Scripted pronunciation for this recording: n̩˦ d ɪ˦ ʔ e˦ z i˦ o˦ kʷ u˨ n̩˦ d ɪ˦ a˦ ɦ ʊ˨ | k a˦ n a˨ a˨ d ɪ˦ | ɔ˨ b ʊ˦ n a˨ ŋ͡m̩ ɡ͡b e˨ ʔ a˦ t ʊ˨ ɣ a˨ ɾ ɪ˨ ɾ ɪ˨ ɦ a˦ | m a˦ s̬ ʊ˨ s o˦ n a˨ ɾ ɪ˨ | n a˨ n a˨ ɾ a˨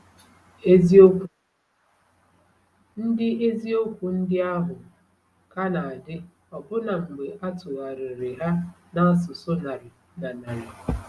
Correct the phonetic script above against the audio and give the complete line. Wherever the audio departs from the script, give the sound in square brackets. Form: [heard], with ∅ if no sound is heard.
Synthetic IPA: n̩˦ d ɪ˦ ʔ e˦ z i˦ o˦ kʷ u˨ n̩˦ d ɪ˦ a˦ ɦ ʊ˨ | k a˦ n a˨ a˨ d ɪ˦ | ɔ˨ b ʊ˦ n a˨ ŋ͡m̩ ɡ͡b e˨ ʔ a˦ t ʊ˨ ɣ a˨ ɾ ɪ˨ ɾ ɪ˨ ɦ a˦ | [n] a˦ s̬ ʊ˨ s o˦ n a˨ ɾ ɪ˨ | n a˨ n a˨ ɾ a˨